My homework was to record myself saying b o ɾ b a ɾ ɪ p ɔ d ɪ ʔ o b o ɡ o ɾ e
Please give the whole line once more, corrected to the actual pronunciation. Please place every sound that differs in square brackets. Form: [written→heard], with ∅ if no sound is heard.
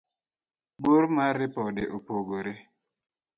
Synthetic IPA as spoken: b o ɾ [b→m] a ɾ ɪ p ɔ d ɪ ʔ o [b→p] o ɡ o ɾ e